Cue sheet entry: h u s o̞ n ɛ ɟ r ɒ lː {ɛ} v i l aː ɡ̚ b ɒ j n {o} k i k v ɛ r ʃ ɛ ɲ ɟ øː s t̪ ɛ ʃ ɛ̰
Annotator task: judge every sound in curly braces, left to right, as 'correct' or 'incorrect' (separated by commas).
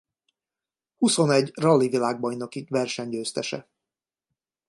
incorrect, correct